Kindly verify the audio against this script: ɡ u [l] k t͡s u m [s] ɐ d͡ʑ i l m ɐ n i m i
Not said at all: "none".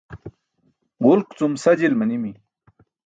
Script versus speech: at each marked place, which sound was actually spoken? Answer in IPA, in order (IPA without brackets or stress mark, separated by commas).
l, s